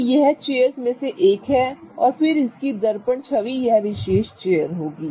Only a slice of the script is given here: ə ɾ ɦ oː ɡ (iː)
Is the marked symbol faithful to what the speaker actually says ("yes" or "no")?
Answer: yes